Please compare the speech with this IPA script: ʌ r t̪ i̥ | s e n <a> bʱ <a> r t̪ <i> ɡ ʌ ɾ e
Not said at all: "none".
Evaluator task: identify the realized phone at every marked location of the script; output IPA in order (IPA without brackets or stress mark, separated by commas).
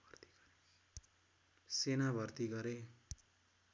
a, ʌ, i